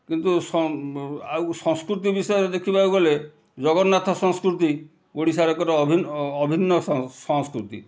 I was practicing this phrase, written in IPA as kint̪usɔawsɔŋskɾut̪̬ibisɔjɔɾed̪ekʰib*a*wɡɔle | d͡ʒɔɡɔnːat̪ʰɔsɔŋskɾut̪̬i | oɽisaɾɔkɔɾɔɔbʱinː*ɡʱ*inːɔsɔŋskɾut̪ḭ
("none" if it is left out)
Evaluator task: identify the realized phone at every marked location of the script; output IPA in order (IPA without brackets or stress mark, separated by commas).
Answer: a, bʱ